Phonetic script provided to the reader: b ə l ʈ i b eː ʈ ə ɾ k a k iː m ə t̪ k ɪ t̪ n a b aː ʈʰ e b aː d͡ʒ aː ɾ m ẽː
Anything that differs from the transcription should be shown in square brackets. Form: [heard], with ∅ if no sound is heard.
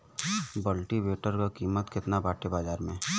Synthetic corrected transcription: b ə l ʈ i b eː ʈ ə ɾ k a k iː m ə t̪ k ɪ t̪ n a b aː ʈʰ e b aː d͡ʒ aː ɾ m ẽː